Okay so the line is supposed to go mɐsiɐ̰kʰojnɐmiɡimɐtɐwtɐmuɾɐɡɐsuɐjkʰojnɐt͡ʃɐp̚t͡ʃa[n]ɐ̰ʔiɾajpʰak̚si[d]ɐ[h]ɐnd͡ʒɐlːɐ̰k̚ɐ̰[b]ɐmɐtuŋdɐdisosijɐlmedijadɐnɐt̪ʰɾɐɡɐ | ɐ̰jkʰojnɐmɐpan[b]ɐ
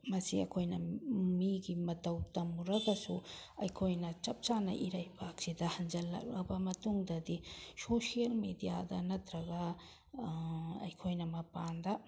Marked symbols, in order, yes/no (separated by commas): yes, yes, yes, yes, no